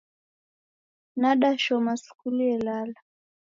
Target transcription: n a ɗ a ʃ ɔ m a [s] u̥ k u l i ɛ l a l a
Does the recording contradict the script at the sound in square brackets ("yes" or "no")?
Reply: no